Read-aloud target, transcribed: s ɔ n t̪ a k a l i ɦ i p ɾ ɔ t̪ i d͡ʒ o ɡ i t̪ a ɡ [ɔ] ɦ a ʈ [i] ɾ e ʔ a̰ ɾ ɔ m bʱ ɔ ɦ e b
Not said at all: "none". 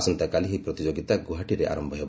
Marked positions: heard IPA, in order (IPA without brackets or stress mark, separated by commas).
u, i